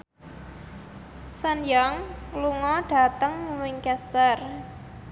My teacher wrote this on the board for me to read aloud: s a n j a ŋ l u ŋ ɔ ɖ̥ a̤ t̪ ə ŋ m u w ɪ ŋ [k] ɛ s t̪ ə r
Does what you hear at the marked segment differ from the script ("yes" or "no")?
no